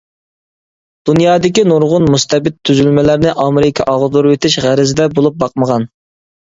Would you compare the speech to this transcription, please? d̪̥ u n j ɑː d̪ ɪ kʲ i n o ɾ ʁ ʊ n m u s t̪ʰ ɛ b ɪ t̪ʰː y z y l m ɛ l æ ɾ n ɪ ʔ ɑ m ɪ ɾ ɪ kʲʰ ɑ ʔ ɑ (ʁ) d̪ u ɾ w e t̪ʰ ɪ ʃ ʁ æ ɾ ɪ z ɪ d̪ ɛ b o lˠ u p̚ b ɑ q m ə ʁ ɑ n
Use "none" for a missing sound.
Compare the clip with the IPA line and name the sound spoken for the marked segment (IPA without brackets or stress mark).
ʁ